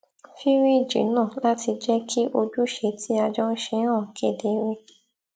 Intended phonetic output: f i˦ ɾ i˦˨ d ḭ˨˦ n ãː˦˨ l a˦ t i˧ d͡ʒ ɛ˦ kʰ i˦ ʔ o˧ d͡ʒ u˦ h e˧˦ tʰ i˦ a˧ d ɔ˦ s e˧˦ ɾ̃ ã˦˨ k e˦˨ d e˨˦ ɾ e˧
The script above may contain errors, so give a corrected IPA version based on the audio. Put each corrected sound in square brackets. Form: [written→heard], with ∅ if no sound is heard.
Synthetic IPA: f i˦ ɾ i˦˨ [d→d͡ʒ] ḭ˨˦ n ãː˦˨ l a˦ t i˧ d͡ʒ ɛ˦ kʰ i˦ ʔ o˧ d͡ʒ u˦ [h→ʃ] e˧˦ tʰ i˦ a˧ [d→d͡ʒ] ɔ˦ [s→ʃ] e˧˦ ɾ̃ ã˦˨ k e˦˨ d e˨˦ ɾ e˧